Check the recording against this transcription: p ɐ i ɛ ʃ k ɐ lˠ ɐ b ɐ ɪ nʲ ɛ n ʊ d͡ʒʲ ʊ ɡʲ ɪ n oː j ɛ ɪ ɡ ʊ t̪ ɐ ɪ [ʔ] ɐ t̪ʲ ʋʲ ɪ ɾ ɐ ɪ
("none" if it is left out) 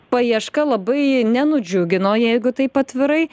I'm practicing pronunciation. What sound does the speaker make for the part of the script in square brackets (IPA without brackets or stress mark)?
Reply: p